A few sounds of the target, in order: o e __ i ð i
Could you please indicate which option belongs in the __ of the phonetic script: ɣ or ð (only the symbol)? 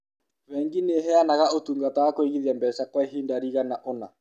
ɣ